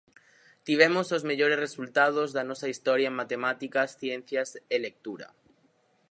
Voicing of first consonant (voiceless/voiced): voiceless